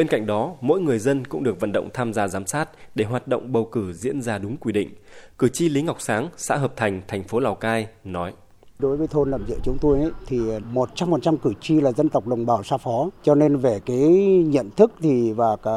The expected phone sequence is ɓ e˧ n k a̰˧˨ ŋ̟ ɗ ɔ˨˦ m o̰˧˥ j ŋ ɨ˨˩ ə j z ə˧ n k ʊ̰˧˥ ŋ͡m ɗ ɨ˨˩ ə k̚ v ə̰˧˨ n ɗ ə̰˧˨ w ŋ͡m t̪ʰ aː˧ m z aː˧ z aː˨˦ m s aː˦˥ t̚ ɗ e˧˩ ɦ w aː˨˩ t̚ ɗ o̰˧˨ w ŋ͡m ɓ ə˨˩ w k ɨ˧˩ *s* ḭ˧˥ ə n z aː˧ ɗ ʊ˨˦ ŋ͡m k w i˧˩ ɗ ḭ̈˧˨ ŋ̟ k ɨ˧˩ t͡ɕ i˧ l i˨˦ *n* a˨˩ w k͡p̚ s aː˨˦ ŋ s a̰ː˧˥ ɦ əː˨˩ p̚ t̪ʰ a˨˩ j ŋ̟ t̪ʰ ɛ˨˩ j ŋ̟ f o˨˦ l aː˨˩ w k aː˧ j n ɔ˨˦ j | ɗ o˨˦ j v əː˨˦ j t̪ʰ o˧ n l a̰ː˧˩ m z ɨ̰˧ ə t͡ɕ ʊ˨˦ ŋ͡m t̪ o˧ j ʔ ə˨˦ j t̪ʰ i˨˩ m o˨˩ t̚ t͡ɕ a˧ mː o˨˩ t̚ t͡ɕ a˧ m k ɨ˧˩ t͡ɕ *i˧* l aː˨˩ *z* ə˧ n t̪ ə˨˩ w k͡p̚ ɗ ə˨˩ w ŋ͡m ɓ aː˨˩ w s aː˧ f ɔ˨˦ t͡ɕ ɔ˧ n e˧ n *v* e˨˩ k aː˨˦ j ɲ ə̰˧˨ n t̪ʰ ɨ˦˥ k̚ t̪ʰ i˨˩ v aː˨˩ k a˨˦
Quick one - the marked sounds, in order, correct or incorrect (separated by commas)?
incorrect, incorrect, correct, correct, correct